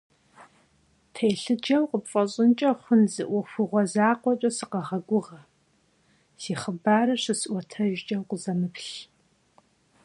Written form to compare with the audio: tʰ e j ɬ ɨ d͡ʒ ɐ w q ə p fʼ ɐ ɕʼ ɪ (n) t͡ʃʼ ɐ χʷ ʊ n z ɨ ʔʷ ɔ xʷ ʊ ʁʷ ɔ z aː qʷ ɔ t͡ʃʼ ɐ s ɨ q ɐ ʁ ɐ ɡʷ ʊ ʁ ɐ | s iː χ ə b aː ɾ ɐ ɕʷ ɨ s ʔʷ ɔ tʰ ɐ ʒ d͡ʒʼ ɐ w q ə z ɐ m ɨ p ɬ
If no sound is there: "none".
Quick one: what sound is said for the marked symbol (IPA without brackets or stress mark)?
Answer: n